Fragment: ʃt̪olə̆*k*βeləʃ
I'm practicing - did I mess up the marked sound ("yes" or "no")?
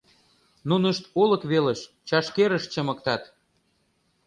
no